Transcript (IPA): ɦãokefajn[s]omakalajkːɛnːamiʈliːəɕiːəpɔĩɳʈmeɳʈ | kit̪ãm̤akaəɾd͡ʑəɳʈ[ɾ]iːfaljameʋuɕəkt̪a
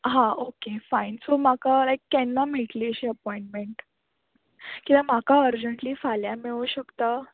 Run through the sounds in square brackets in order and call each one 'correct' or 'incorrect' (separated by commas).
correct, incorrect